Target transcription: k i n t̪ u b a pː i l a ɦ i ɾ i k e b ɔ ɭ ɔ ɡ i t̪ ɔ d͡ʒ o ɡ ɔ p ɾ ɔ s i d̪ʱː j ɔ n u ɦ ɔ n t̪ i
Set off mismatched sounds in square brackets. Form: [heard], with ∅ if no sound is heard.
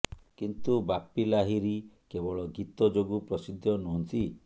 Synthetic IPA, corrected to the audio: k i n t̪ u b a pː i l a ɦ i ɾ i k e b ɔ ɭ ɔ ɡ i t̪ ɔ d͡ʒ o ɡ [u] p ɾ ɔ s i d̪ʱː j ɔ n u ɦ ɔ n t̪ i